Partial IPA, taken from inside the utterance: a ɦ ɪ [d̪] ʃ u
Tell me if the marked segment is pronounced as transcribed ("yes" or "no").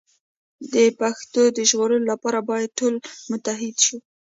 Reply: yes